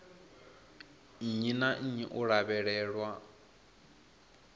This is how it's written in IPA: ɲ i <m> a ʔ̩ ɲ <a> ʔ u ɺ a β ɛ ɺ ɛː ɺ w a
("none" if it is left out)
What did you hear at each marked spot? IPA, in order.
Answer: n, i

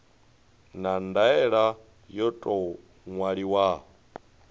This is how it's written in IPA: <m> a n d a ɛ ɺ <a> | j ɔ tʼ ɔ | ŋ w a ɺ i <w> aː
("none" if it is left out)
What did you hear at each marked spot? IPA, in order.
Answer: n, a, w

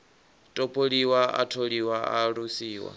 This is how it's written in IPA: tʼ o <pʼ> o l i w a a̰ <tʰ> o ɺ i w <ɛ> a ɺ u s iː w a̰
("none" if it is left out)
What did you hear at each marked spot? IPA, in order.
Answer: pʼ, tʰ, a

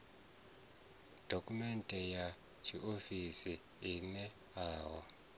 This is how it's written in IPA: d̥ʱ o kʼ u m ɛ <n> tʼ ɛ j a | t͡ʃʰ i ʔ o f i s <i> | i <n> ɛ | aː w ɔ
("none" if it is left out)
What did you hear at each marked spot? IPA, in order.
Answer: n, i, n

